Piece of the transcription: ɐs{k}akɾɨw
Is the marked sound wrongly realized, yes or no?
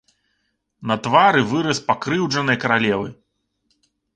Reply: yes